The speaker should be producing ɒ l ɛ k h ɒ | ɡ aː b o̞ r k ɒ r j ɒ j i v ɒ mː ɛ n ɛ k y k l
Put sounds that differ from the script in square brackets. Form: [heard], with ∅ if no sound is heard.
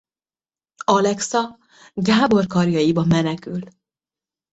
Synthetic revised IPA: ɒ l ɛ k [s] ɒ | ɡ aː b o̞ r k ɒ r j ɒ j i [b] ɒ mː ɛ n ɛ k y [∅] l